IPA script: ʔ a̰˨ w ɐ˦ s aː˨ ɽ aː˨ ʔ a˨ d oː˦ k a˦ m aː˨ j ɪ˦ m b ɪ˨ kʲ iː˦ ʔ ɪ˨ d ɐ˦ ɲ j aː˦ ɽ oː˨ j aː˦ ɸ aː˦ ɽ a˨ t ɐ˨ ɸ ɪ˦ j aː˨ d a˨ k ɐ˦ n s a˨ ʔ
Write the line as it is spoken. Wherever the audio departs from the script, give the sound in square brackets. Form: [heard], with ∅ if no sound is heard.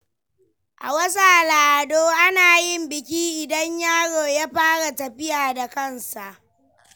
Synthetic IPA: ʔ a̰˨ w ɐ˦ s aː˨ [l] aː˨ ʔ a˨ d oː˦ [ʔ] a˦ [n] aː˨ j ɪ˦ m b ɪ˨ kʲ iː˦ ʔ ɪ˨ d ɐ˦ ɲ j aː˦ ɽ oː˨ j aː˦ ɸ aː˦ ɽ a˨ t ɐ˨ ɸ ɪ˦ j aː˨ d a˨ k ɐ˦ n s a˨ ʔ